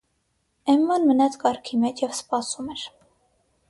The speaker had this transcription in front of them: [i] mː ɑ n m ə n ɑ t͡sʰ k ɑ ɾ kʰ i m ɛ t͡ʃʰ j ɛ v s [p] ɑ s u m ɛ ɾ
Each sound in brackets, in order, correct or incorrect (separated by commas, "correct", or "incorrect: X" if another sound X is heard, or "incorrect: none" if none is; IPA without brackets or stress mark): incorrect: ɛ, correct